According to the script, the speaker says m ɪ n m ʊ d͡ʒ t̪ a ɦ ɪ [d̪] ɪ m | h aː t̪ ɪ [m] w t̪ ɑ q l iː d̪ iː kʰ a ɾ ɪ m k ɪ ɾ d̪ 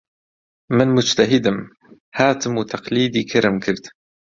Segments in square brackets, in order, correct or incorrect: correct, correct

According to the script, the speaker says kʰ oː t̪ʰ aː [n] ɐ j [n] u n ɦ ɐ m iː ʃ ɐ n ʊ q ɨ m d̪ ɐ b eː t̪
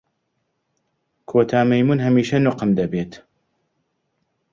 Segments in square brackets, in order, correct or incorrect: incorrect, incorrect

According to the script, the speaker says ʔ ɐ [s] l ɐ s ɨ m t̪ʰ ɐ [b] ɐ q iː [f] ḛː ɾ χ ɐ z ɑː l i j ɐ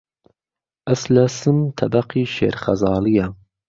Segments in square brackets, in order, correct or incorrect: correct, correct, incorrect

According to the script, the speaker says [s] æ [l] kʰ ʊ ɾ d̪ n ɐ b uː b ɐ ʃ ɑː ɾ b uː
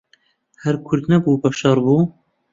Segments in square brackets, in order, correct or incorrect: incorrect, incorrect

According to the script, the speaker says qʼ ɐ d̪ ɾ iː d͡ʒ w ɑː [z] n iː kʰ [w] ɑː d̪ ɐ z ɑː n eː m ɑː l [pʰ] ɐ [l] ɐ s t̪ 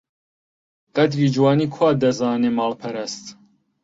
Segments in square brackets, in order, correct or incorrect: incorrect, correct, correct, incorrect

